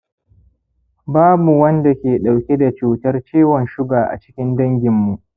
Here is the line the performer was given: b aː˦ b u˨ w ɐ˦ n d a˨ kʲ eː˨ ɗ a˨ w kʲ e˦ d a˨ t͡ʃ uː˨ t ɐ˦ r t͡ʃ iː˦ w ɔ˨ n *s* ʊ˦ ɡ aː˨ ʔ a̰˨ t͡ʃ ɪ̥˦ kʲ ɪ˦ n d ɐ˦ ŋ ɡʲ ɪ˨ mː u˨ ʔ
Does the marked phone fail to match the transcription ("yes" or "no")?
yes